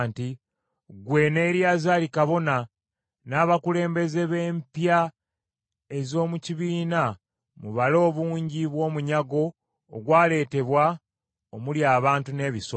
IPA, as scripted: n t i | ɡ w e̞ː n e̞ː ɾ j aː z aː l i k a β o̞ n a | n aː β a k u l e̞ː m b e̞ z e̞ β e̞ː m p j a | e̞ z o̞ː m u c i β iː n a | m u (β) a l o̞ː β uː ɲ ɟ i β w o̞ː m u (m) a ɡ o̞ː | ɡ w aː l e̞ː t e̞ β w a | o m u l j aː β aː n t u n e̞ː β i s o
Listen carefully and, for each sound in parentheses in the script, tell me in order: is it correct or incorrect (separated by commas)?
correct, incorrect